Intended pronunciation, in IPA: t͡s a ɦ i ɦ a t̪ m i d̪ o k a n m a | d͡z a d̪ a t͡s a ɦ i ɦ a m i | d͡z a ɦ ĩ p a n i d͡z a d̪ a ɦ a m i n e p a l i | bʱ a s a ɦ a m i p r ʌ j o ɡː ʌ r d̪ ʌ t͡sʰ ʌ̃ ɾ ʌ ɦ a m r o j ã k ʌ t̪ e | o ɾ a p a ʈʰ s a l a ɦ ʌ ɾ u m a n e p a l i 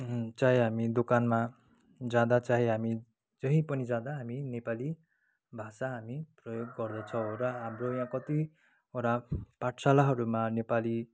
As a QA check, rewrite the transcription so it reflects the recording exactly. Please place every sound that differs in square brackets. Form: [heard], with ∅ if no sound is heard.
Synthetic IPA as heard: t͡s a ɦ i ɦ a [∅] m i d̪ o k a n m a | d͡z a d̪ a t͡s a ɦ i ɦ a m i | d͡z [ʌ] ɦ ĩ p [ʌ] n i d͡z a d̪ a ɦ a m i n e p a l i | bʱ a s a ɦ a m i p r ʌ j o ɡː ʌ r d̪ ʌ t͡sʰ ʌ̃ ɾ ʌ ɦ a m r o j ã k ʌ t̪ [i] | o ɾ a p a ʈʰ s a l a ɦ ʌ ɾ u m a n e p a l i